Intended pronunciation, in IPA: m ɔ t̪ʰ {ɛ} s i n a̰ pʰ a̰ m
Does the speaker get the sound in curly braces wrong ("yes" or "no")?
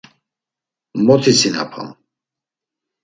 yes